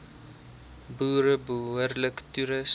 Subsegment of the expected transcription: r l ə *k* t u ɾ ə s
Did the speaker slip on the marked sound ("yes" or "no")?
no